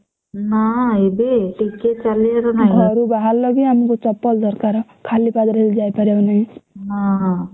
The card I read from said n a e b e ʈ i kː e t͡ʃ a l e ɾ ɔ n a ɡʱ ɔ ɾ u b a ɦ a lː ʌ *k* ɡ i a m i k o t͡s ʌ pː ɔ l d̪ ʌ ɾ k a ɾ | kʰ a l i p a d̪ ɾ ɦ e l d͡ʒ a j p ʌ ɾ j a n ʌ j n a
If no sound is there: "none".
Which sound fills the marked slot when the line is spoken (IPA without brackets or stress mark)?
none